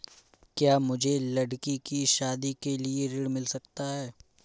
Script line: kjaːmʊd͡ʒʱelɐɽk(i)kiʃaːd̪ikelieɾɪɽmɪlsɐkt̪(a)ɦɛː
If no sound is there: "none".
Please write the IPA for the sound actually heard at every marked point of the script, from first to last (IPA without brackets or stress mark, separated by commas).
i, a